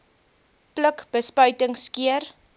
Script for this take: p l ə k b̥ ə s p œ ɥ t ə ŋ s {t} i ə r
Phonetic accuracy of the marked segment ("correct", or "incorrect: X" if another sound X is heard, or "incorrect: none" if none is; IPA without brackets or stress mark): incorrect: k